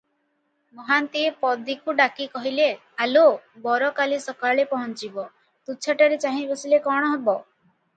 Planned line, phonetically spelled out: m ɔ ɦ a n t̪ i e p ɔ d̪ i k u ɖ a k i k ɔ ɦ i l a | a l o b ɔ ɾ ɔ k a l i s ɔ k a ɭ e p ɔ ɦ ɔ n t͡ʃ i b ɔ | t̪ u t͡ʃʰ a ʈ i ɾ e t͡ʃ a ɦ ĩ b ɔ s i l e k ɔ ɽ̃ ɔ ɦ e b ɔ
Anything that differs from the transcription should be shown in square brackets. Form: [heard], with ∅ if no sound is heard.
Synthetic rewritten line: m ɔ ɦ a n t̪ i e p ɔ d̪ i k u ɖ a k i k ɔ ɦ i l [e] | a l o b ɔ ɾ ɔ k a l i s ɔ k a ɭ e p ɔ ɦ ɔ n t͡ʃ i b ɔ | t̪ u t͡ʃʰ a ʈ [a] ɾ e t͡ʃ a ɦ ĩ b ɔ s i l e k ɔ ɽ̃ ɔ ɦ e b ɔ